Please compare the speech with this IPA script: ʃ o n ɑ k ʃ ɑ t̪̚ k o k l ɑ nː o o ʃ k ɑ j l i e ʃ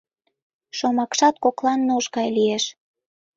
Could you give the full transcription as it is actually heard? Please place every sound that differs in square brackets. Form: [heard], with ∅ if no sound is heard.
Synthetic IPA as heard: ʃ o [m] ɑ k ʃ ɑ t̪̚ k o k l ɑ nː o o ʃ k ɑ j l i e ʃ